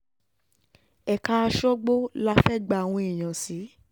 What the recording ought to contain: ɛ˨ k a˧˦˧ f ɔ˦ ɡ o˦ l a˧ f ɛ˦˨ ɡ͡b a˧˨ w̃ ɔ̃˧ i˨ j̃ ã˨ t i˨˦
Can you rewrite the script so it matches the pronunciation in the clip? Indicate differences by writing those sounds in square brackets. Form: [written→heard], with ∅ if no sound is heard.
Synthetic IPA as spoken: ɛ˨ k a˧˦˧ [f→ʃ] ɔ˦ [ɡ→ɡ͡b] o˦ l a˧ f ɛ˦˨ ɡ͡b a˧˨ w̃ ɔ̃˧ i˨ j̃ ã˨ [t→s] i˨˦